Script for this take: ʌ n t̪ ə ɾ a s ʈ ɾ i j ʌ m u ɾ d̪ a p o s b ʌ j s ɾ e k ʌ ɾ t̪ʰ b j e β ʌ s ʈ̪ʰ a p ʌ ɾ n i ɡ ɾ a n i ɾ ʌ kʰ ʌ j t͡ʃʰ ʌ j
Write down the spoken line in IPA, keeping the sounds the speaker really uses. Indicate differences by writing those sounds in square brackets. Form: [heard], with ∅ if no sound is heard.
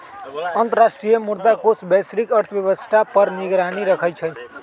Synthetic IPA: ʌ n t̪ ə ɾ a s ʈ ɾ i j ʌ m u ɾ d̪ a [k] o s b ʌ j s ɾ [i] k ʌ ɾ t̪ʰ b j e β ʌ s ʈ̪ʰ a p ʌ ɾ n i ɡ ɾ a n i ɾ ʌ kʰ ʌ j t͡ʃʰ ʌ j